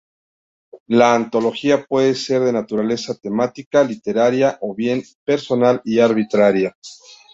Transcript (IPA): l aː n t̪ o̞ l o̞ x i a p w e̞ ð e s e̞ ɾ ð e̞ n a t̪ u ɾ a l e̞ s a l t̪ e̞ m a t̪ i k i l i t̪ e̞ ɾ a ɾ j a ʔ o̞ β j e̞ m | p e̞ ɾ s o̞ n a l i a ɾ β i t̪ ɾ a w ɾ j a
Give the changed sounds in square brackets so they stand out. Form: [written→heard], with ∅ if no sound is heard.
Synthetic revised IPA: l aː n t̪ o̞ l o̞ x i a p w e̞ ð e s e̞ ɾ ð e̞ n a t̪ u ɾ a l e̞ s a [l→∅] t̪ e̞ m a t̪ i k [i→a] l i t̪ e̞ ɾ a ɾ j a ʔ o̞ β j e̞ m | p e̞ ɾ s o̞ n a l i a ɾ β i t̪ ɾ a [w→∅] ɾ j a